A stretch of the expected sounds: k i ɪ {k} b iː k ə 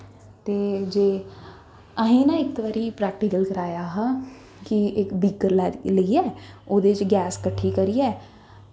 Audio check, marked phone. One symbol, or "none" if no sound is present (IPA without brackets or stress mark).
k